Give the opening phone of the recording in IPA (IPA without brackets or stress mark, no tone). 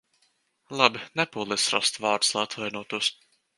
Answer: lˠ